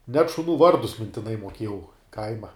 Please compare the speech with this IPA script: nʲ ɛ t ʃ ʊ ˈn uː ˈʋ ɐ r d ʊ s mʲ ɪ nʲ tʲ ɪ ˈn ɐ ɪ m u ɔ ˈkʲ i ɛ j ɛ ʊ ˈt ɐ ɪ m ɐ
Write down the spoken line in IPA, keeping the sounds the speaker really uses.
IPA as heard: nʲ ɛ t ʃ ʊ ˈn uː ˈʋ ɐ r d ʊ s mʲ ɪ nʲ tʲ ɪ ˈn ɐ ɪ m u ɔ ˈkʲ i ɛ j ɛ ʊ ˈk ɐ ɪ m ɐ